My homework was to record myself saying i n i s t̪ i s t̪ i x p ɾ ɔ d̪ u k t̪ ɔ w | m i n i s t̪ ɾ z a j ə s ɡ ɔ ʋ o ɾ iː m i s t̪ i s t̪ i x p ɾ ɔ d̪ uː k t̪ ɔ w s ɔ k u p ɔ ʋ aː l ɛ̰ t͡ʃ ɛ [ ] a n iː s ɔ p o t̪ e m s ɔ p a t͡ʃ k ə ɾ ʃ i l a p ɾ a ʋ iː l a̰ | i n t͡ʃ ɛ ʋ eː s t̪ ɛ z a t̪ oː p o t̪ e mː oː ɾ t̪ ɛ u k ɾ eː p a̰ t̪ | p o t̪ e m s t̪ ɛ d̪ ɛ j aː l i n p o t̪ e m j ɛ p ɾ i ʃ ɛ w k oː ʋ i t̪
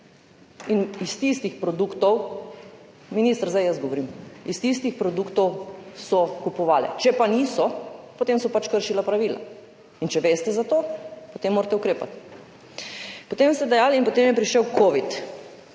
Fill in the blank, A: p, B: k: A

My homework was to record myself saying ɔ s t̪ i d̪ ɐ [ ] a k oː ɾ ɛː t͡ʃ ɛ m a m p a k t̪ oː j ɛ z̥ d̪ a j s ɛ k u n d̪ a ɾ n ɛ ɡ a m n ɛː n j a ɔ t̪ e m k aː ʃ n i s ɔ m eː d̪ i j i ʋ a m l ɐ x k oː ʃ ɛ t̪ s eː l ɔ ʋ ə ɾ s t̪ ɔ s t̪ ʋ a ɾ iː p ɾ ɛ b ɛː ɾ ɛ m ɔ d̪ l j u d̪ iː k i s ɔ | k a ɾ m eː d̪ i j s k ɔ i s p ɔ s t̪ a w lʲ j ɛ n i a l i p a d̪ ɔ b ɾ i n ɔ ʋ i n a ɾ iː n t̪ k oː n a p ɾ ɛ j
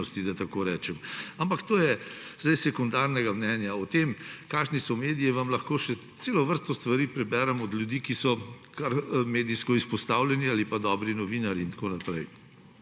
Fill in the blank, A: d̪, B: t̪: B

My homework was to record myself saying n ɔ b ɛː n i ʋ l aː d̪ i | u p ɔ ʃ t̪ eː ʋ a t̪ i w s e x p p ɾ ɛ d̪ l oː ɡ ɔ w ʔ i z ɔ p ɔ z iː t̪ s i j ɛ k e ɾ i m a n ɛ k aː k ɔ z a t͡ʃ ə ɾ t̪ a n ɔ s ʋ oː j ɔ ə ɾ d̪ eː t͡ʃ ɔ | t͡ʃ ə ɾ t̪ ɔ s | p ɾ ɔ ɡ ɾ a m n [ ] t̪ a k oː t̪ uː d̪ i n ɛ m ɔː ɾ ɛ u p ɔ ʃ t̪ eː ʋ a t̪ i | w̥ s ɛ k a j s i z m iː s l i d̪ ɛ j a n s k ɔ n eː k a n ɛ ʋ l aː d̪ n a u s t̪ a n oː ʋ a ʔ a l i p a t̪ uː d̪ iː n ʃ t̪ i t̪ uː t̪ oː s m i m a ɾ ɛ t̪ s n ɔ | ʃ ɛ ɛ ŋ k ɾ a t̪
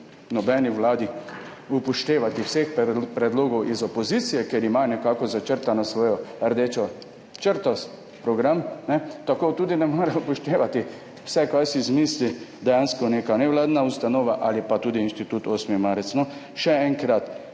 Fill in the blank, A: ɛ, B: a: A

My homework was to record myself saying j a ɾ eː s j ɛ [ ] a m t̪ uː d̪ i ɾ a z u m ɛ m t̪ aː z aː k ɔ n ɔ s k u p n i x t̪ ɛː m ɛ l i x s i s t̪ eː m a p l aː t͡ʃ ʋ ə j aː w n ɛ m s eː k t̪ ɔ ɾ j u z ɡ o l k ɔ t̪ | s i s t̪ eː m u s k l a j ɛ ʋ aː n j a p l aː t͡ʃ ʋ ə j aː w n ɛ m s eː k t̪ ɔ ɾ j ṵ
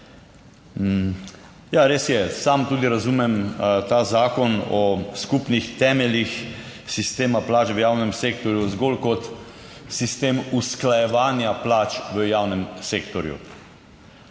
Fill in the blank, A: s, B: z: A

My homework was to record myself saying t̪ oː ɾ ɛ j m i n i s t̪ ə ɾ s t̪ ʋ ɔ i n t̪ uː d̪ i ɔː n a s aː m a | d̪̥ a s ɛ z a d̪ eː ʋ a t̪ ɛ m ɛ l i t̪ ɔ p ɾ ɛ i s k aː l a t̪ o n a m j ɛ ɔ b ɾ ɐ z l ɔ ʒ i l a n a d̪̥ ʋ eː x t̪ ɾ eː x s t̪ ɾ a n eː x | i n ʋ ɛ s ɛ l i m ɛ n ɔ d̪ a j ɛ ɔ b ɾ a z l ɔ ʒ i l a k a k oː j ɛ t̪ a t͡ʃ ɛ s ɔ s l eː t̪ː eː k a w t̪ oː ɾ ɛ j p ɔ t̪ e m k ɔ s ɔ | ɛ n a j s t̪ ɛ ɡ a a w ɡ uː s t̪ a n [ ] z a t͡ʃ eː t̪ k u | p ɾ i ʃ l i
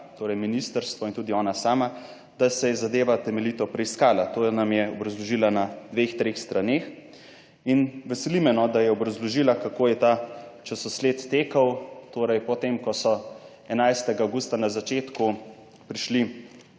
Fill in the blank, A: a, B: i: A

